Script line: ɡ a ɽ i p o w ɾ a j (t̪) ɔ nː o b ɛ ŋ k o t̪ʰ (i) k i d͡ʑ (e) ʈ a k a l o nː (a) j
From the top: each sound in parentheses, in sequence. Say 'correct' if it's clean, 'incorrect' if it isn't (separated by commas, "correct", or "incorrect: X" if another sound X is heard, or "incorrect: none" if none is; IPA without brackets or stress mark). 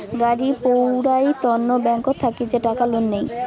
correct, incorrect: a, correct, incorrect: e